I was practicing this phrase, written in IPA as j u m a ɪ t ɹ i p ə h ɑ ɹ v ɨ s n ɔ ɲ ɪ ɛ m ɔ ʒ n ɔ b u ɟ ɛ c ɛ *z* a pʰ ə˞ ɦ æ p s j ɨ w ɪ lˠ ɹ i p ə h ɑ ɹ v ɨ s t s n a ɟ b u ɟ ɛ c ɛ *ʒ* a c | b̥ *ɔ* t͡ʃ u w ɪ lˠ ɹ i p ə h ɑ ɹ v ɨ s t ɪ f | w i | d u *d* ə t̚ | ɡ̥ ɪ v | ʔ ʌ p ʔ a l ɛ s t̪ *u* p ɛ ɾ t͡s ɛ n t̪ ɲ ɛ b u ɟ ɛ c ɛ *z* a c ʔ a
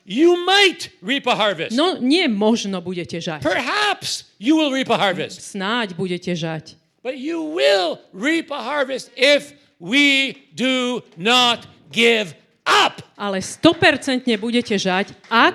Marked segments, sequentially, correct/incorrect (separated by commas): incorrect, correct, incorrect, incorrect, incorrect, incorrect